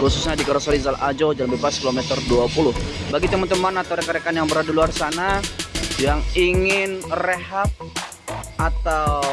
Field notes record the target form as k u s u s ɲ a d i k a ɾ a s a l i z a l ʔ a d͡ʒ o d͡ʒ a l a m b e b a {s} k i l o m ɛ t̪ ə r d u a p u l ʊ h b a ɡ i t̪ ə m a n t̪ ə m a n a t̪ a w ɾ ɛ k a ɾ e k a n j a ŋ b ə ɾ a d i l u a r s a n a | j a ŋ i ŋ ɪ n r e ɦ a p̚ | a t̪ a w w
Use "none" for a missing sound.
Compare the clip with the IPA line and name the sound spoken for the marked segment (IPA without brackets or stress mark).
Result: s